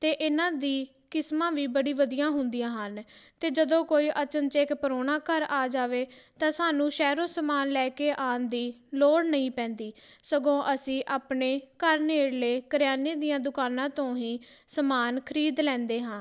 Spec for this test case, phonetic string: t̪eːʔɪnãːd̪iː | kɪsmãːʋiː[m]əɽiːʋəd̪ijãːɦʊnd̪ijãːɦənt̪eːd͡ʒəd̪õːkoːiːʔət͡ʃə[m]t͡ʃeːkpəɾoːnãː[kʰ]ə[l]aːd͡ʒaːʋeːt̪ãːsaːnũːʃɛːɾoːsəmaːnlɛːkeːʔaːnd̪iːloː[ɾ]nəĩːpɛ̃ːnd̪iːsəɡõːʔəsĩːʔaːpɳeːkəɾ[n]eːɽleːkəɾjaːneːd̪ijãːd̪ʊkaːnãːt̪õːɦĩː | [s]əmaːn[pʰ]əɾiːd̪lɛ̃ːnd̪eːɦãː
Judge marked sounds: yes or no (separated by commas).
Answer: no, no, no, no, no, yes, yes, no